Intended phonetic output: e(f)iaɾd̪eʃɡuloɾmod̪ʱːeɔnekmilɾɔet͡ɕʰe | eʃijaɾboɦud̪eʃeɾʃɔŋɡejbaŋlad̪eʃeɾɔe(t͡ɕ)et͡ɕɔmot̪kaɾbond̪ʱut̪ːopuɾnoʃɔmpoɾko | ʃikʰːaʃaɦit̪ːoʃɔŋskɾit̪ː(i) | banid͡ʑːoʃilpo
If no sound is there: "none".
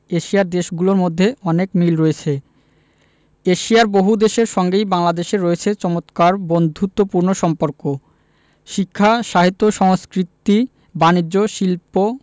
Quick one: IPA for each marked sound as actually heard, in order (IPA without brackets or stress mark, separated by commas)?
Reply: ʃ, t͡ɕʰ, i